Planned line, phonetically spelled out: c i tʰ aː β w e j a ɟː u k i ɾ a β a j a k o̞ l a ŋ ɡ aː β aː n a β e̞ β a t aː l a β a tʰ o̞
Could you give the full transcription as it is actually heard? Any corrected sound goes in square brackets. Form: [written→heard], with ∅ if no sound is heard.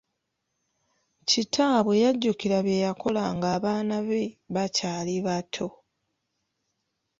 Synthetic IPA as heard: c i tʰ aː β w e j a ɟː u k i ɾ a β [a→e] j a k o̞ l a ŋ ɡ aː β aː n a β e̞ β a [t→c] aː l [a→i] β a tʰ o̞